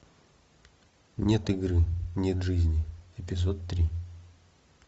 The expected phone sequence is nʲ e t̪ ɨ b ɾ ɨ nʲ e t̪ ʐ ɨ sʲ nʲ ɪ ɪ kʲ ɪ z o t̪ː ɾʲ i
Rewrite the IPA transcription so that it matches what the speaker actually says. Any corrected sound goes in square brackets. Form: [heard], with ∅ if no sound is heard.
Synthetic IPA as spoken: nʲ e t̪ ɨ [ɡ] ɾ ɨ nʲ e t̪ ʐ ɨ [zʲ] nʲ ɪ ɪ [pʲ] ɪ z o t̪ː ɾʲ i